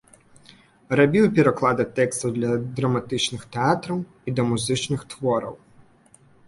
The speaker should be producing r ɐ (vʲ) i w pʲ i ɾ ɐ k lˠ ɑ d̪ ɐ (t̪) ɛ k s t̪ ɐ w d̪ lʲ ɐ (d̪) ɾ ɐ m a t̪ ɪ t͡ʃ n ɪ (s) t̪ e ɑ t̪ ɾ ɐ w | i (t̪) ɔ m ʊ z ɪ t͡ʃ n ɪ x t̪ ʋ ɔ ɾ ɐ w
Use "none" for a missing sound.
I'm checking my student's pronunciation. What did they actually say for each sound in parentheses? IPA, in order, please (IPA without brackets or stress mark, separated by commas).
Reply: bʲ, t̪, d̪, x, d̪